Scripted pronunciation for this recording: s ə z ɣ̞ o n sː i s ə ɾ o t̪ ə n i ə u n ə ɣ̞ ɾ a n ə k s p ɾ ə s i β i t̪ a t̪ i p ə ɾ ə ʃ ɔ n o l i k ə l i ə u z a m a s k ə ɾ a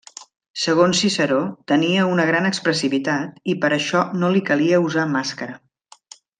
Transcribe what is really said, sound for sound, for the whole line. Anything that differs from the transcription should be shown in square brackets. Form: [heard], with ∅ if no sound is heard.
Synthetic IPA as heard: s ə [∅] ɣ̞ o n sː i s ə ɾ o t̪ ə n i ə u n ə ɣ̞ ɾ a n ə k s p ɾ ə s i β i t̪ a t̪ i p ə ɾ ə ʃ ɔ n o l i k ə l i ə u z a m a s k ə ɾ [ə]